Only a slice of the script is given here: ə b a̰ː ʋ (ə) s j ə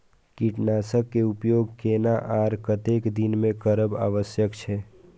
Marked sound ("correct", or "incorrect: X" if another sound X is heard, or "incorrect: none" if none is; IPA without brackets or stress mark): correct